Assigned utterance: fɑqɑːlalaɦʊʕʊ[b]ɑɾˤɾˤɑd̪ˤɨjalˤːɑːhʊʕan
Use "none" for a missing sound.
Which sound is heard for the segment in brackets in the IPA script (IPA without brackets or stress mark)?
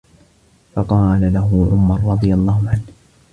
m